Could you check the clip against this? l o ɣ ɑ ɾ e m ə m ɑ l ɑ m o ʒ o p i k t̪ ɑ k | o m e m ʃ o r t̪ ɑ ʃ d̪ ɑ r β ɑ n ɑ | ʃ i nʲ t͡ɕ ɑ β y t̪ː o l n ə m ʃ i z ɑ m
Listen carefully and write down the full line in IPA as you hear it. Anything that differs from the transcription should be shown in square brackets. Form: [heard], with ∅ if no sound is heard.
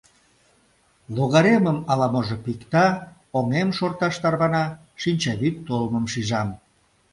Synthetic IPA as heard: l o ɣ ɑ ɾ e m ə m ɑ l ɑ m o ʒ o p i k t̪ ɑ [∅] | o [ŋ] e m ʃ o r t̪ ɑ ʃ [t̪] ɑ r β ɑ n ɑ | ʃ i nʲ t͡ɕ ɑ β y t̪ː o l [m] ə m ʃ i [ʒ] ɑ m